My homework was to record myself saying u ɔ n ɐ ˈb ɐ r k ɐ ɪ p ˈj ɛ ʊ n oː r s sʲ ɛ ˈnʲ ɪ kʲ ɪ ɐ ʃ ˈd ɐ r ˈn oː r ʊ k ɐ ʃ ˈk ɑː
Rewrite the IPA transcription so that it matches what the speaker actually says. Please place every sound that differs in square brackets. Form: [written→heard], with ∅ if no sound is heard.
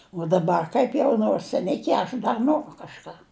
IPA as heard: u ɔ [n→d] ɐ ˈb ɐ r k ɐ ɪ p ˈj ɛ ʊ n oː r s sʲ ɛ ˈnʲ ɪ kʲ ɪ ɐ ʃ ˈd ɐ r ˈn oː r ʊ k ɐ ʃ ˈk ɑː